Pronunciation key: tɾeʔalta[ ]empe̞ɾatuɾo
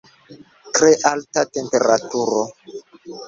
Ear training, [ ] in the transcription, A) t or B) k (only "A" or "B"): A